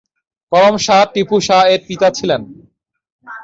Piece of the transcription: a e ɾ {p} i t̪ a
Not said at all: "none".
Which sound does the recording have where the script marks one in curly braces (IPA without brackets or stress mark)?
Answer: p